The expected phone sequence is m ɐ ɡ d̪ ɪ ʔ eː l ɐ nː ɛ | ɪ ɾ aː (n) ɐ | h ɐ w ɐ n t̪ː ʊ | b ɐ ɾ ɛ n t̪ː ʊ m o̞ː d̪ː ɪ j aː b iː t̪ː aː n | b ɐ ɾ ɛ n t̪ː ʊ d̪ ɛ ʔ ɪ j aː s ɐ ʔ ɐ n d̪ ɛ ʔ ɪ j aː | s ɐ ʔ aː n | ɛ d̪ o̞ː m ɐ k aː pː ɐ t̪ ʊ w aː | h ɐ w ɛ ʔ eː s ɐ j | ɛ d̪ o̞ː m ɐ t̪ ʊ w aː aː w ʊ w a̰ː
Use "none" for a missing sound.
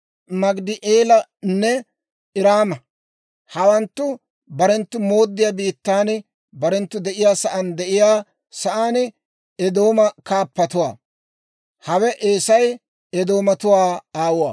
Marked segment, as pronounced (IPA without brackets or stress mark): m